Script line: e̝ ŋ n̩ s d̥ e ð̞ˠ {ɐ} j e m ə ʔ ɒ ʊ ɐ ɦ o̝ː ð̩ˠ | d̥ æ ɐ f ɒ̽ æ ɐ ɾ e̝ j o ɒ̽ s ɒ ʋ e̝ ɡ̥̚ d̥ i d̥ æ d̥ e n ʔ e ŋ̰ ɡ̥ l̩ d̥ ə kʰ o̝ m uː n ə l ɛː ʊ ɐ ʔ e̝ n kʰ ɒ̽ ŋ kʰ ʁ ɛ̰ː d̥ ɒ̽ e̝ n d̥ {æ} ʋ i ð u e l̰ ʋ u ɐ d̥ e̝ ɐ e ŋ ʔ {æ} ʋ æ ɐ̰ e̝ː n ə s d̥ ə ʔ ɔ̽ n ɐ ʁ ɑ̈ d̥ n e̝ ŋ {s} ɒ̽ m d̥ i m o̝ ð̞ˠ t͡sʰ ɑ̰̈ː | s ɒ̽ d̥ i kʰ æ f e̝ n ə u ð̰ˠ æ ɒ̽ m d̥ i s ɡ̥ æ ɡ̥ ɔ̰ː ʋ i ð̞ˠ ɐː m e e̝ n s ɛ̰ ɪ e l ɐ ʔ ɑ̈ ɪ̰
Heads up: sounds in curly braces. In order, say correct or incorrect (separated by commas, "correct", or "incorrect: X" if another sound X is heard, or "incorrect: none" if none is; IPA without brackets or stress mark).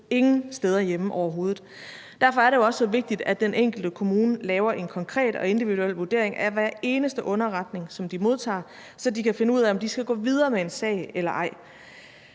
correct, incorrect: i, correct, correct